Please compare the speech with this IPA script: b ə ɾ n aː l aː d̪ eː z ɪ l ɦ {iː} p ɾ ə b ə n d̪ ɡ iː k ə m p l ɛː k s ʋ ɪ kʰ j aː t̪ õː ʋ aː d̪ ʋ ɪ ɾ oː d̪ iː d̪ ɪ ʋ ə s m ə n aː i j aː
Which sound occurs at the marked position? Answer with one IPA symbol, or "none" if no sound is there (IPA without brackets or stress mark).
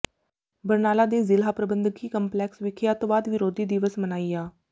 aː